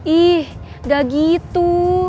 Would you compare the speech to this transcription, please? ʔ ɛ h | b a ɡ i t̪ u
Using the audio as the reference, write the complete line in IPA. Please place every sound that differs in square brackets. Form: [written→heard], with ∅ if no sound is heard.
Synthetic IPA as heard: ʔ [ɛ→i] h | [b→d] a ɡ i t̪ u